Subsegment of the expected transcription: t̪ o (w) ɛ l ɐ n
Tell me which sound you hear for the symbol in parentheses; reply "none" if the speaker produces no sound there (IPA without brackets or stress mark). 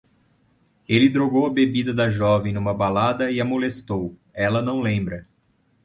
w